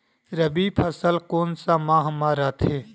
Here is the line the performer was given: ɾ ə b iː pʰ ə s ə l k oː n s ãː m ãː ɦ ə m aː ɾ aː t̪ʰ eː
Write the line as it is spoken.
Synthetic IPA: ɾ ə b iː pʰ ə s ə l k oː n s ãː m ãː ɦ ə m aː ɾ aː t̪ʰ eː